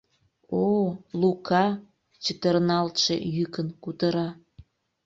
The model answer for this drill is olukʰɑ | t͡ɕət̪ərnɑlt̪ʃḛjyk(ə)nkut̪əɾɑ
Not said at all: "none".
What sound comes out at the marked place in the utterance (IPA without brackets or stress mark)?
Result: ə